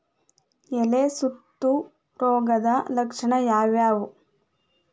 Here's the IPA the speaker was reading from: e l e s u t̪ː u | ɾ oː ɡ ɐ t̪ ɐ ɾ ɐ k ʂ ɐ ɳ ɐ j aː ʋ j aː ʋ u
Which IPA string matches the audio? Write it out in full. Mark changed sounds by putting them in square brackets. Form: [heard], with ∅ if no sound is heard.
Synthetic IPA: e l e s u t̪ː u | ɾ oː ɡ ɐ [d̪] ɐ [l] ɐ k ʂ ɐ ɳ ɐ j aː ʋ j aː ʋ u